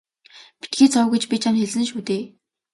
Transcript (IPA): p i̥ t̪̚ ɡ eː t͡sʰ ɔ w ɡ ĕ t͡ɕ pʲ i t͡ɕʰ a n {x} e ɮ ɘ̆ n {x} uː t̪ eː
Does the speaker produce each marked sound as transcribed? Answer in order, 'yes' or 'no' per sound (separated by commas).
yes, no